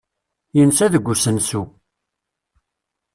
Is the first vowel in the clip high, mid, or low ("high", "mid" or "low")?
mid